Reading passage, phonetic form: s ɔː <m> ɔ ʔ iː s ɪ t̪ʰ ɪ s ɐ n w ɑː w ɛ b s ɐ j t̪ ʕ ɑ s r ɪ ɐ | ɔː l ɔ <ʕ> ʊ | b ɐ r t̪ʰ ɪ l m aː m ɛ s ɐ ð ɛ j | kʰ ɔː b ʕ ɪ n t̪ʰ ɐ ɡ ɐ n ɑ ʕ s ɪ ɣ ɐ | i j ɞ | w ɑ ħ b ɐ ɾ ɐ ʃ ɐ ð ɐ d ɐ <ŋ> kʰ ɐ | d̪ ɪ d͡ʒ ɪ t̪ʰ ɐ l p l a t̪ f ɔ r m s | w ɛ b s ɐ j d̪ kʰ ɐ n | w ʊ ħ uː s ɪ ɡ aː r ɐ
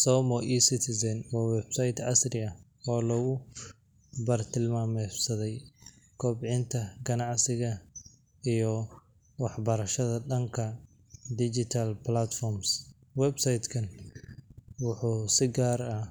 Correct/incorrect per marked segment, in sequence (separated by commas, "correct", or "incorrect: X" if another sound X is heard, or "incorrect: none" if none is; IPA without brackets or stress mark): correct, incorrect: ɣ, correct